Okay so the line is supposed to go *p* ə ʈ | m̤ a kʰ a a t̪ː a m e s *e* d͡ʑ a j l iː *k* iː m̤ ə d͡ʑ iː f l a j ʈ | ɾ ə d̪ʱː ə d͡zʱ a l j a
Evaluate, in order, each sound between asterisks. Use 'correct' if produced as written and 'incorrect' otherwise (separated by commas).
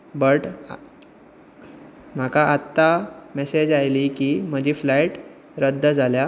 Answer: incorrect, correct, correct